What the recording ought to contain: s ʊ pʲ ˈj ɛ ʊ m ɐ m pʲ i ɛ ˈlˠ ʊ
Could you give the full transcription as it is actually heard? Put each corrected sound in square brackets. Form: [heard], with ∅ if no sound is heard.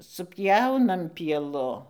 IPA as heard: s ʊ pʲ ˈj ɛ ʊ [n] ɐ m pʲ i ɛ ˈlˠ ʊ